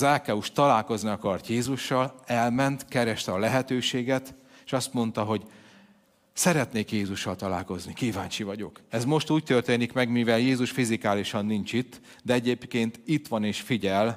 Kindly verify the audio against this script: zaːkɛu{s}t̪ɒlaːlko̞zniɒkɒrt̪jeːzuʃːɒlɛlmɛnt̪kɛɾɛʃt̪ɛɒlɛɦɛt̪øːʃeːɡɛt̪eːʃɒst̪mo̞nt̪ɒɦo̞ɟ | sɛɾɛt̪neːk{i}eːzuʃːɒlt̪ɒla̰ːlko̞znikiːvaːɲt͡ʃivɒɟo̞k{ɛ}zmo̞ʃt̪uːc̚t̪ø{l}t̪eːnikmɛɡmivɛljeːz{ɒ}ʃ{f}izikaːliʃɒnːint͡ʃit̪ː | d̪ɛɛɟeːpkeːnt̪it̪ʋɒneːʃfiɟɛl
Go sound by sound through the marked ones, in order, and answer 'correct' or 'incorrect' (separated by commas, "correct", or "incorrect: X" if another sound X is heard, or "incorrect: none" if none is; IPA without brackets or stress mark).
incorrect: ʃ, incorrect: j, correct, incorrect: r, incorrect: u, correct